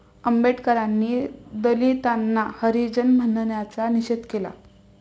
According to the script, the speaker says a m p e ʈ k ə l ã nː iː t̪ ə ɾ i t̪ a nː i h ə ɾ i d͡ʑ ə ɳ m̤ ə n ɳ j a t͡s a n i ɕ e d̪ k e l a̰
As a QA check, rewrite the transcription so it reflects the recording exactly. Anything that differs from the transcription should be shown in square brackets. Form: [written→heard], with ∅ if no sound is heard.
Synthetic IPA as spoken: [a→ə] m [p→b] e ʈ k ə [l→ɾ] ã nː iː [t̪→d̪] ə [ɾ→l] i t̪ a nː [i→a] h ə ɾ i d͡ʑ ə [ɳ→n] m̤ ə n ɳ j a t͡s a n i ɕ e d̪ k e l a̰